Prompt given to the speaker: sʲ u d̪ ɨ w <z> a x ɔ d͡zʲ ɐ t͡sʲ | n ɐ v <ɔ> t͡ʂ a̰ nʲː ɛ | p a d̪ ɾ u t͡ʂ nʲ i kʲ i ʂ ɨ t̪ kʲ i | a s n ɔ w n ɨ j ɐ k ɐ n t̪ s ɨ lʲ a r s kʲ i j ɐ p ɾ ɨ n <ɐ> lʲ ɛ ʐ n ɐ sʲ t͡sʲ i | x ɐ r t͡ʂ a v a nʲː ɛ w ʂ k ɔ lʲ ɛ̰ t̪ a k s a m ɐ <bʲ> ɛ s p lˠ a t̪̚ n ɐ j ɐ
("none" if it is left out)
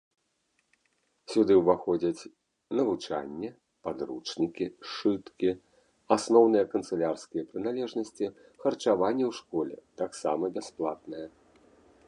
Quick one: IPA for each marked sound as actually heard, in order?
v, u, a, bʲ

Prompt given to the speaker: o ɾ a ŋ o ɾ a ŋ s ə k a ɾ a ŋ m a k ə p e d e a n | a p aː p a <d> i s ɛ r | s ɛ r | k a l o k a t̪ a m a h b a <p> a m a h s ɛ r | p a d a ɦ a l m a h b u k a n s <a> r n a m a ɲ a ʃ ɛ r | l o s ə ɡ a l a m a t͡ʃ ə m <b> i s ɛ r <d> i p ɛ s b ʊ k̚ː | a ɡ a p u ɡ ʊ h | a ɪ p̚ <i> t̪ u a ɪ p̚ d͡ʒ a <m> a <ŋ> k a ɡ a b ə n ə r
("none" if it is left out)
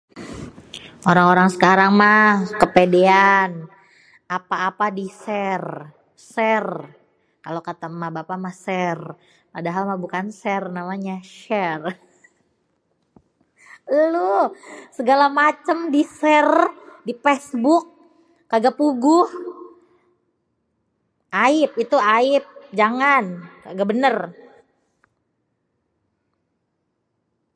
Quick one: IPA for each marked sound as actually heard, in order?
d, p, ɛ, d, d, i, ŋ, n

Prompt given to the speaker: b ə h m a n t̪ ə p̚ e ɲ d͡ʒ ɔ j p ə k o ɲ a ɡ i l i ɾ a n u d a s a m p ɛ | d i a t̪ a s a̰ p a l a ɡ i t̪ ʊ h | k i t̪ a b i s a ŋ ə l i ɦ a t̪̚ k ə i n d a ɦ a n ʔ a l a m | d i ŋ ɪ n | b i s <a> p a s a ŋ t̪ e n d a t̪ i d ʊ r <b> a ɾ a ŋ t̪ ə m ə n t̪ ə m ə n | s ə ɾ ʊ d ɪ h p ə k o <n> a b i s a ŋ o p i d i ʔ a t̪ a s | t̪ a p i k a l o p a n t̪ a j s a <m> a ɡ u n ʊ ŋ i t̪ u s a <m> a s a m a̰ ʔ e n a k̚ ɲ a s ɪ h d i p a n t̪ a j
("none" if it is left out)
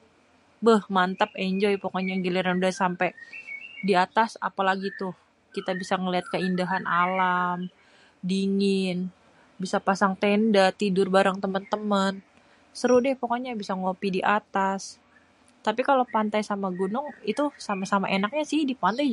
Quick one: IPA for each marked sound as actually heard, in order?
a, b, ɲ, m, m

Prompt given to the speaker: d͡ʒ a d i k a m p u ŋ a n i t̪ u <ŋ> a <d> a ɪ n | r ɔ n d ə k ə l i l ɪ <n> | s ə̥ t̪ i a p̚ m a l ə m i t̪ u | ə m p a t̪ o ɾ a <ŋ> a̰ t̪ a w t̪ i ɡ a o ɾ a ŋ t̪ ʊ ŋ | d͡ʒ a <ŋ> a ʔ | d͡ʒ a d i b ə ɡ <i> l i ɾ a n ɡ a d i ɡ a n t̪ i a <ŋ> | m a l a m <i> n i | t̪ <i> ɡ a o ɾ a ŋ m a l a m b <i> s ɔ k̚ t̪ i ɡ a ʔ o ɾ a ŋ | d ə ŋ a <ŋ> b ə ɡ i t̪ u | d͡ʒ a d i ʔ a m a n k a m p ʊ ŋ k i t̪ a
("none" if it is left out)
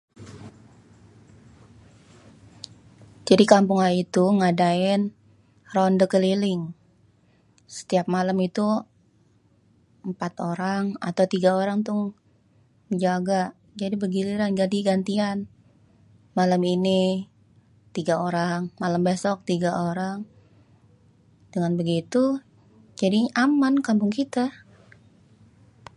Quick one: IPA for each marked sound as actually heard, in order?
ŋ, d, ŋ, ŋ, ɡ, i, n, i, i, e, n

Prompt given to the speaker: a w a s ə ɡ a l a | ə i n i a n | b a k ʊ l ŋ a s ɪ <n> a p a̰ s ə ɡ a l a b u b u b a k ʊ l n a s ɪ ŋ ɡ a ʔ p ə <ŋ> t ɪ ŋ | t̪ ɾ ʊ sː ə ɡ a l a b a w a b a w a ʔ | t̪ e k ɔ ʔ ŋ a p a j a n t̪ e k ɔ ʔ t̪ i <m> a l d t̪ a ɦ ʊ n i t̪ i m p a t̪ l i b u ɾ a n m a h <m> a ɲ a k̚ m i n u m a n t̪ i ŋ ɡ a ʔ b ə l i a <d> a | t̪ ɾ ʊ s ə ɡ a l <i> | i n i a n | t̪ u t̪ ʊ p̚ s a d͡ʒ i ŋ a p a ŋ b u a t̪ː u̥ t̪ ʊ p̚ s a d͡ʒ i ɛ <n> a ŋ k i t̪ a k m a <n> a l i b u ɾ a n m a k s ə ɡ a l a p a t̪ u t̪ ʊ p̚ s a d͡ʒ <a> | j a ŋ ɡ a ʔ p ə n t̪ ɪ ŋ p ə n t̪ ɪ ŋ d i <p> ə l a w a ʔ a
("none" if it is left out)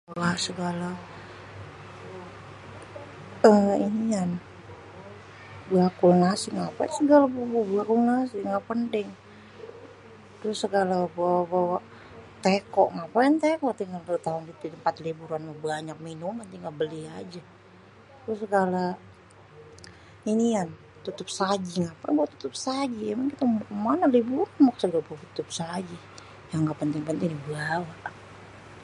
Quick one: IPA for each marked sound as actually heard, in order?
ŋ, n, ŋ, b, d͡ʒ, a, m, n, i, b

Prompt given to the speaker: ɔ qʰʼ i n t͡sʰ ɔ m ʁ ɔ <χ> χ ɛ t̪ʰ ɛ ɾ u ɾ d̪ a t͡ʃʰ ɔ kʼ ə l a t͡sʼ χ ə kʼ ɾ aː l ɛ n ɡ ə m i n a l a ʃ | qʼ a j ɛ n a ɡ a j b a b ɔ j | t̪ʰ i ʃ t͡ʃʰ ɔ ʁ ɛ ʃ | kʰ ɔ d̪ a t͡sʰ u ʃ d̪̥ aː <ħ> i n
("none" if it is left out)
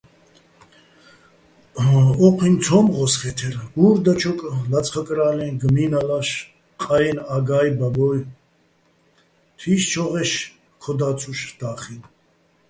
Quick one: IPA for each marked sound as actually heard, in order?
s, χ

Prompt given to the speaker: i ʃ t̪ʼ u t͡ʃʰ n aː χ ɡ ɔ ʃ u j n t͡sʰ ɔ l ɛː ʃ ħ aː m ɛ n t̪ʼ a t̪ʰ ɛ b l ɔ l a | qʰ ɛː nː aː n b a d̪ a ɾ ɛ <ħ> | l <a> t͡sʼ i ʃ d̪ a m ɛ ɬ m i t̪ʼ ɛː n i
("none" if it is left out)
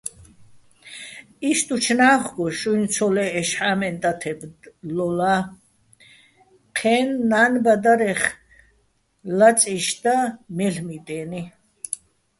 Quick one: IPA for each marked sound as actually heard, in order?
χ, a

